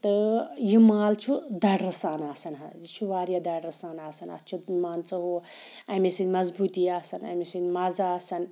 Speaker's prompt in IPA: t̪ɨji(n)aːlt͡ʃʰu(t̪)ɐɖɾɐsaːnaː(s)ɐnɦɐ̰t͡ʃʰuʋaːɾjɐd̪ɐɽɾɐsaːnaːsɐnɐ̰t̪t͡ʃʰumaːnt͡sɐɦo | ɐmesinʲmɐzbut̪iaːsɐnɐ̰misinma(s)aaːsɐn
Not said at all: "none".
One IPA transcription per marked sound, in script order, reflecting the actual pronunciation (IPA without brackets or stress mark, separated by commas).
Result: m, d̪, s, z